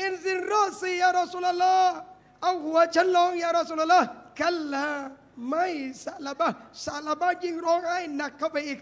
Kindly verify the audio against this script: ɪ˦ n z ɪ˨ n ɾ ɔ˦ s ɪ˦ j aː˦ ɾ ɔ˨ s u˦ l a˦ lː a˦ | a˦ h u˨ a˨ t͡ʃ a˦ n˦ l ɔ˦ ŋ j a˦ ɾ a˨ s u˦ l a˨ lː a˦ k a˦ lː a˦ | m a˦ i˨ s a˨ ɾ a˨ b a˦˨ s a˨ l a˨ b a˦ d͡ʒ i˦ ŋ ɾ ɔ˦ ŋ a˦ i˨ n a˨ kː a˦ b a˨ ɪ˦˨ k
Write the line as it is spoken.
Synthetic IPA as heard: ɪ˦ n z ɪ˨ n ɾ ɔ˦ s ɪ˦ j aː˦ ɾ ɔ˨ s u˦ l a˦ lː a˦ | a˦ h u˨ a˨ t͡ʃ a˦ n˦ l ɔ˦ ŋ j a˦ ɾ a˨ s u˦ l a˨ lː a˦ k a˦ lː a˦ | m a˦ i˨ s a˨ l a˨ b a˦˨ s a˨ l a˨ b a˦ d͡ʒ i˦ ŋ ɾ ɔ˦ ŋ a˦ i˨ n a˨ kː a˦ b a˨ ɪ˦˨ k